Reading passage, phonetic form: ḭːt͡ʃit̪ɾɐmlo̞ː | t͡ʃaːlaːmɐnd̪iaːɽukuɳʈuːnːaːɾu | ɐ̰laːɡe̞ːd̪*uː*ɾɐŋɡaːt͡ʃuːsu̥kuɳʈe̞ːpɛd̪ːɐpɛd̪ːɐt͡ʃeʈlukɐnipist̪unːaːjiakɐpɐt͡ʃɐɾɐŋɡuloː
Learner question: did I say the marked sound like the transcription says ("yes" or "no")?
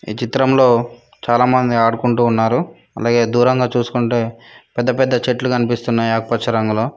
yes